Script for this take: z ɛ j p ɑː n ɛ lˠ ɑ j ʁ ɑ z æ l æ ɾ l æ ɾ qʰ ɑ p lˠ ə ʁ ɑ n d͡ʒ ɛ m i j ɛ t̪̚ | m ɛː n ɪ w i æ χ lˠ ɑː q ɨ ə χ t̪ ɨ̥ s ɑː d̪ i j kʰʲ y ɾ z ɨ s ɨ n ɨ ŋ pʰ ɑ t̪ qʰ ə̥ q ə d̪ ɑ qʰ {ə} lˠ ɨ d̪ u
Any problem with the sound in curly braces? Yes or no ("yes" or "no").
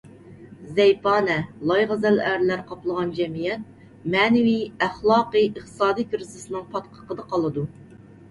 yes